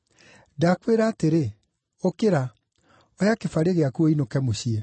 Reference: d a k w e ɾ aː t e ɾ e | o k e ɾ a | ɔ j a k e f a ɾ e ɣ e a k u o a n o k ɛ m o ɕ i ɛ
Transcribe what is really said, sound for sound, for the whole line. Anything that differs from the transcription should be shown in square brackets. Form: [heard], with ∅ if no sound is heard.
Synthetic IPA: d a k w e ɾ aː t e ɾ e | o k e ɾ a | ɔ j a k e f a ɾ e ɣ e a k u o [i] n o k ɛ m o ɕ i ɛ